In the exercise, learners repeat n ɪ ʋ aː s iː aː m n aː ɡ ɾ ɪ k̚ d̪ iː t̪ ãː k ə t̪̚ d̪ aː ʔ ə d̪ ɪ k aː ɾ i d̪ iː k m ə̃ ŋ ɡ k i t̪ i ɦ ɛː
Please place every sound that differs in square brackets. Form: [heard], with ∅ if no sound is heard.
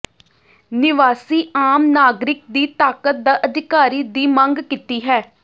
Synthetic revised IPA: n ɪ ʋ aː s iː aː m n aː ɡ ɾ ɪ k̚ d̪ iː t̪ [aː] k ə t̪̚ d̪ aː ʔ ə d̪ ɪ k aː ɾ [iː] d̪ iː [∅] m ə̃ ŋ ɡ k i t̪ [iː] ɦ ɛː